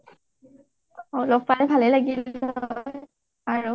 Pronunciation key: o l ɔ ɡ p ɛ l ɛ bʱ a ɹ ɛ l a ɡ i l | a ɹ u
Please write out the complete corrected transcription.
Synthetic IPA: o l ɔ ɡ p a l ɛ bʱ a l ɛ l a ɡ i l | a ɹ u